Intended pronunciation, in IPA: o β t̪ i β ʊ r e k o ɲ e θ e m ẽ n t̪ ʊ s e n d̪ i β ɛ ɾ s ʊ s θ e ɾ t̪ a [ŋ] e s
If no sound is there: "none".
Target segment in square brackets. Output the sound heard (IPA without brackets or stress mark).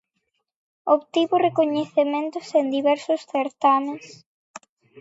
m